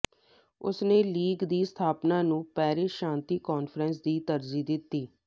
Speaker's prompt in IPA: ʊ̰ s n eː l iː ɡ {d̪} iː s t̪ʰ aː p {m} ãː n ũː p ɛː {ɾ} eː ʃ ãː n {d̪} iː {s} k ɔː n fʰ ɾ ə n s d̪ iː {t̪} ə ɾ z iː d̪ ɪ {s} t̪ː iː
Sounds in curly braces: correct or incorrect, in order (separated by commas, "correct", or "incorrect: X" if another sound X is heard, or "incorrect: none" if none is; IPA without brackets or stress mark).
correct, incorrect: n, correct, incorrect: t̪, incorrect: none, correct, incorrect: none